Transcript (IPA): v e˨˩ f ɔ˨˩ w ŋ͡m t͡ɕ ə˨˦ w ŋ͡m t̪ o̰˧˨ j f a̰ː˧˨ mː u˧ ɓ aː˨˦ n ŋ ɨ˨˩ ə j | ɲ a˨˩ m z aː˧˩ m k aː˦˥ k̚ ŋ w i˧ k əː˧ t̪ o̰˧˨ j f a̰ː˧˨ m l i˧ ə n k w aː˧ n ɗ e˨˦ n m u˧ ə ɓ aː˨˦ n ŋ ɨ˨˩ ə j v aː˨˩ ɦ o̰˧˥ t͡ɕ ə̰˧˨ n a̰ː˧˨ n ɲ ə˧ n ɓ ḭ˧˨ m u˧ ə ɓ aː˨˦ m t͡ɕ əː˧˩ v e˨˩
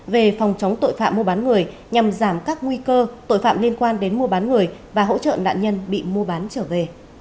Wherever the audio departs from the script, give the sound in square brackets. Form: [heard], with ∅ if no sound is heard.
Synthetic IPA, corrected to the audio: v e˨˩ f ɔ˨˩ w ŋ͡m t͡ɕ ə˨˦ w ŋ͡m t̪ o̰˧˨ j f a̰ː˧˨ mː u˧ ɓ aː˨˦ n ŋ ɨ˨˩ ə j | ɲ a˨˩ m z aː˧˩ m k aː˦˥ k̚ ŋ w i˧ k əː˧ t̪ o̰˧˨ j f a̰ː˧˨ m l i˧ ə n k w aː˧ n ɗ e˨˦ n m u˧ ə ɓ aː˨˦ n ŋ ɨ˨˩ ə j v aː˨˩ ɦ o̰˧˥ t͡ɕ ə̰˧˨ n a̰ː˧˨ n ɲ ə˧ n ɓ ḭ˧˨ m u˧ ə ɓ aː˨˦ [n] t͡ɕ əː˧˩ v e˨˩

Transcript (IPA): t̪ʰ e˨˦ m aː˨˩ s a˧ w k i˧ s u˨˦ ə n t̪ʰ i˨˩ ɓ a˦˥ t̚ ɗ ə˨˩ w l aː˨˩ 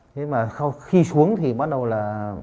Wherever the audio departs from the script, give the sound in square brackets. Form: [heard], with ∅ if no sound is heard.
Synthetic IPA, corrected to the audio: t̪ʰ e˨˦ m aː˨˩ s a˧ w [x] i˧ s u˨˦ ə [ŋ] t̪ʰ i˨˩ ɓ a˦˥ t̚ ɗ ə˨˩ w l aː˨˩

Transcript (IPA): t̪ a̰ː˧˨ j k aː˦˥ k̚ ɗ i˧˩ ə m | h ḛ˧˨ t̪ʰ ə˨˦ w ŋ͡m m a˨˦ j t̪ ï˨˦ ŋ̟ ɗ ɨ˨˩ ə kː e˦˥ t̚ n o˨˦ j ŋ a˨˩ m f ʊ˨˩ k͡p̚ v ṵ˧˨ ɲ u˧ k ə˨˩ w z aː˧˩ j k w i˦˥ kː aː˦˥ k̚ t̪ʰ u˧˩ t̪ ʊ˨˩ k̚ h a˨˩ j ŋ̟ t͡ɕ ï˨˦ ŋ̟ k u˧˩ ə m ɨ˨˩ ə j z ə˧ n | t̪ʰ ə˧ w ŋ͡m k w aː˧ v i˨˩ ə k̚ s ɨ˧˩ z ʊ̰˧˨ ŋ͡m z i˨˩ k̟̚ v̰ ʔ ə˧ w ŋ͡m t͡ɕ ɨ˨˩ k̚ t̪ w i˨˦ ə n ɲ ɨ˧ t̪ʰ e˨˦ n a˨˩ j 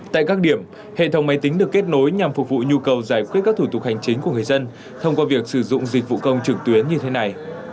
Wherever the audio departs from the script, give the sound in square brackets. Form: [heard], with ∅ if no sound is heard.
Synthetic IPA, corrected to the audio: t̪ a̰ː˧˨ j k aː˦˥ k̚ ɗ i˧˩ ə m | h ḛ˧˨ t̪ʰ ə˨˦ w ŋ͡m m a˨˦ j t̪ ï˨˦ ŋ̟ ɗ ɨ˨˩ ə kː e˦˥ t̚ n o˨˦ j [ɲ] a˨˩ m f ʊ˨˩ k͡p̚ v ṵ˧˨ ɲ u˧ k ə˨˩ w z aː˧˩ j k w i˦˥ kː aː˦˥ k̚ t̪ʰ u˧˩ t̪ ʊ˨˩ k̚ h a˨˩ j ŋ̟ t͡ɕ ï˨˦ ŋ̟ k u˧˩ ə [ŋ] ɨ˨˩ ə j z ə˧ n | t̪ʰ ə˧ w ŋ͡m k w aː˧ v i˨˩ ə k̚ s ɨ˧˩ z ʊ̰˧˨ ŋ͡m z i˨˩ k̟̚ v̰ [k] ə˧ w ŋ͡m t͡ɕ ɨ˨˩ k̚ t̪ w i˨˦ ə n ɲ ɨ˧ t̪ʰ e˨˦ n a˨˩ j

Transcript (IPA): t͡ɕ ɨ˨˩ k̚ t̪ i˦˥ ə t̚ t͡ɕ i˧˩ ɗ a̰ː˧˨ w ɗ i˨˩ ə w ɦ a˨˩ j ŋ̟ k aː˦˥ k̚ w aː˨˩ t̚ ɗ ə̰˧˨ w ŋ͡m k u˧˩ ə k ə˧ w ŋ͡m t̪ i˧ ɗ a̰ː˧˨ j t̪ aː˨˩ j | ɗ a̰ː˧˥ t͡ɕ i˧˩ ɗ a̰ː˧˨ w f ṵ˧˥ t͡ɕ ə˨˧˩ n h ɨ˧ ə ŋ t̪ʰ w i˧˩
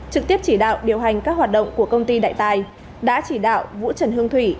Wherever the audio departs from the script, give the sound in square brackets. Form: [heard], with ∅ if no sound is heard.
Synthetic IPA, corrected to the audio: t͡ɕ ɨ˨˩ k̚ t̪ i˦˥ ə [p̚] t͡ɕ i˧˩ ɗ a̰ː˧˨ w ɗ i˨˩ ə w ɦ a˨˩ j ŋ̟ k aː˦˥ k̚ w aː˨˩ t̚ ɗ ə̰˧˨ w ŋ͡m k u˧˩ ə k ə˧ w ŋ͡m t̪ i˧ ɗ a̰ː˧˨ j t̪ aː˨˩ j | ɗ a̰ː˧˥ t͡ɕ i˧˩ ɗ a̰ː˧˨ w [v] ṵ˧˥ t͡ɕ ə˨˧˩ n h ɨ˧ ə ŋ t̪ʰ w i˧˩

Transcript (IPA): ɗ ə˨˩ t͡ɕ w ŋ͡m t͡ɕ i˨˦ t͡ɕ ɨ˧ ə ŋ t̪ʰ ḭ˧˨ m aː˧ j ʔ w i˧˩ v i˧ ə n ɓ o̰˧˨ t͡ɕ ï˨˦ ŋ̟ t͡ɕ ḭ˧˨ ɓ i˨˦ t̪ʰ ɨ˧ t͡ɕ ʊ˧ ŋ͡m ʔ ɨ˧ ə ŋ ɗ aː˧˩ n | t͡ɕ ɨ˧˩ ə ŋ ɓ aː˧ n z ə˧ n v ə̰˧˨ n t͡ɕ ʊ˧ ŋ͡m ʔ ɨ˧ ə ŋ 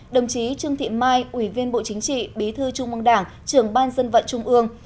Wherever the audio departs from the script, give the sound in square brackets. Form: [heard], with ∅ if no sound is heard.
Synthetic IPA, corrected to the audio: ɗ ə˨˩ [∅] w ŋ͡m t͡ɕ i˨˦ t͡ɕ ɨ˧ ə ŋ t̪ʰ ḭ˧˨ m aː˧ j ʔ w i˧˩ v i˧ ə n ɓ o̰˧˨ t͡ɕ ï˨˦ ŋ̟ t͡ɕ ḭ˧˨ ɓ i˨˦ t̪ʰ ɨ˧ t͡ɕ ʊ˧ ŋ͡m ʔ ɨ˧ ə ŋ ɗ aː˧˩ [ŋ] | t͡ɕ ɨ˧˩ ə ŋ ɓ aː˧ n z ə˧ n v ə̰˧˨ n t͡ɕ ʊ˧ ŋ͡m ʔ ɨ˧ ə ŋ

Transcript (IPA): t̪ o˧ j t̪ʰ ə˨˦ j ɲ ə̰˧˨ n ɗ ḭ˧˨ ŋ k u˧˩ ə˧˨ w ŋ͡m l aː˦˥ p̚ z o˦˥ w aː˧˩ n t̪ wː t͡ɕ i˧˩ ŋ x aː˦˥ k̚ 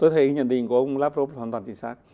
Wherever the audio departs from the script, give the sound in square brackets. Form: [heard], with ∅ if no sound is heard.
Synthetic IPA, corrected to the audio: t̪ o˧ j t̪ʰ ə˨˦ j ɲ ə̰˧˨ n ɗ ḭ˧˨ ŋ k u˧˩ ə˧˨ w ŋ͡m l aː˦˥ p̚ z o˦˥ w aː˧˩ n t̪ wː t͡ɕ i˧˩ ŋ [s] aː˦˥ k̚

